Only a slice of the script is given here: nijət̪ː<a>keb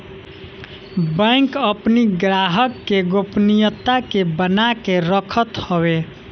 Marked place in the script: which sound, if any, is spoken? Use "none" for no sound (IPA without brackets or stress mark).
a